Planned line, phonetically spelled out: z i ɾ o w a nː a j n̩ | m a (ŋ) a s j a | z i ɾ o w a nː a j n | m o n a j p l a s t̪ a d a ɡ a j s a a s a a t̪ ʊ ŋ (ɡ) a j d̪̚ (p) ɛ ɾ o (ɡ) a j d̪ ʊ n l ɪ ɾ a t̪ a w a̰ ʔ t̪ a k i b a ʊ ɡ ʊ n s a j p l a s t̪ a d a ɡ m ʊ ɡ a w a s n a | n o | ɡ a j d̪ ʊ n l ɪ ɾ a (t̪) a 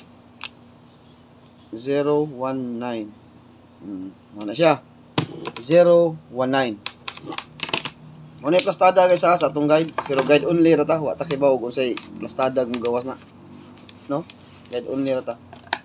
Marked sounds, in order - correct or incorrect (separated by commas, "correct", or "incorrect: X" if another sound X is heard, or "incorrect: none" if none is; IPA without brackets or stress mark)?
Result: incorrect: n, correct, correct, correct, correct